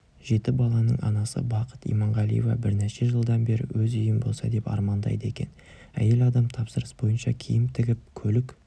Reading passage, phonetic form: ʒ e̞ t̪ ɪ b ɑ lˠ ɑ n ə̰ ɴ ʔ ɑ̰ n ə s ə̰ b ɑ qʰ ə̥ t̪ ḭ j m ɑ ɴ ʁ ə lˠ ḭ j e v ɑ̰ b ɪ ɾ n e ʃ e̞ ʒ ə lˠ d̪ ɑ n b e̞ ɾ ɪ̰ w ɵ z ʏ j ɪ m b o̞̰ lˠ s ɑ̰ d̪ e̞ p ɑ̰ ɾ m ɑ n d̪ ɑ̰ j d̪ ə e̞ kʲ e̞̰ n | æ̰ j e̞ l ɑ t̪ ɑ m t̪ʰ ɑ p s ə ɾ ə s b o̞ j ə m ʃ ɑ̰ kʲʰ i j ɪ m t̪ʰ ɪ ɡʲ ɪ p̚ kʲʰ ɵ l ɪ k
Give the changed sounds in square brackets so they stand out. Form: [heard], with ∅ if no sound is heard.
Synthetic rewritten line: ʒ e̞ t̪ ɪ b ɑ lˠ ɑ n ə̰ ɴ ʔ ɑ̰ n [ɑ] s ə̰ b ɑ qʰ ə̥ t̪ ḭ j m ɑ ɴ ʁ [ɑ] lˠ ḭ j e v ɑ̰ b ɪ ɾ n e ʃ e̞ ʒ ə lˠ d̪ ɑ n b e̞ ɾ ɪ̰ w ɵ z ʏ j ɪ m b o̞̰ lˠ s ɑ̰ d̪ e̞ p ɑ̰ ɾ m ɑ n d̪ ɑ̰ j d̪ ə e̞ kʲ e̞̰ n | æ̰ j e̞ l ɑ [d̪] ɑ m t̪ʰ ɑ p s ə ɾ ə s b o̞ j ə [n] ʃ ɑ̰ kʲʰ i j ɪ m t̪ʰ ɪ ɡʲ ɪ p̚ kʲʰ ɵ l ɪ k